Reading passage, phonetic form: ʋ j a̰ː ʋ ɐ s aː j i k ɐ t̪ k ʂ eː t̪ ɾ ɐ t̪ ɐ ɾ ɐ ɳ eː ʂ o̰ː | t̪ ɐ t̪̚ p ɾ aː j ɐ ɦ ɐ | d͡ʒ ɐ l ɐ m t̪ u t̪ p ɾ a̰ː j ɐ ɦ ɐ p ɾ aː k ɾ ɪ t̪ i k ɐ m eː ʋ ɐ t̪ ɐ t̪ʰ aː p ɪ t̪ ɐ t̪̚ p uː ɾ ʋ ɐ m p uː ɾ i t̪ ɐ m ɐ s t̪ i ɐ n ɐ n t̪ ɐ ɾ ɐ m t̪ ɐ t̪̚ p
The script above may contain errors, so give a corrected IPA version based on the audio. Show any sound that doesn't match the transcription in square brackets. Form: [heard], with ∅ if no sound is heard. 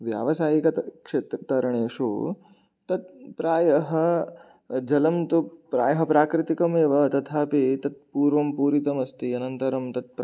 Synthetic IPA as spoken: ʋ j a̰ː ʋ ɐ s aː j i k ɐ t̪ k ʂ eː t̪ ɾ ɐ t̪ ɐ ɾ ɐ ɳ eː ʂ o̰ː | t̪ ɐ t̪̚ p ɾ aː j ɐ ɦ ɐ | d͡ʒ ɐ l ɐ m t̪ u [∅] p ɾ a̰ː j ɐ ɦ ɐ p ɾ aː k ɾ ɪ t̪ i k ɐ m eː ʋ ɐ t̪ ɐ t̪ʰ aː p [i] t̪ ɐ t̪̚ p uː ɾ ʋ ɐ m p uː ɾ i t̪ ɐ m ɐ s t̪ i ɐ n ɐ n t̪ ɐ ɾ ɐ m t̪ ɐ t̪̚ p